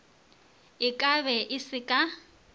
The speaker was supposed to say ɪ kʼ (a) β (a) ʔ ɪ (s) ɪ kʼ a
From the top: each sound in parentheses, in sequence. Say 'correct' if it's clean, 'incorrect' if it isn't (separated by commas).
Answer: correct, incorrect, correct